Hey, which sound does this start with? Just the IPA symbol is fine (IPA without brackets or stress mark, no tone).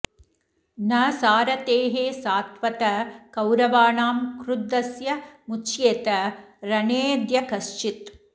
n